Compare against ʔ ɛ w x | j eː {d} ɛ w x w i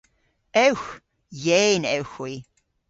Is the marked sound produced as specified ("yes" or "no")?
no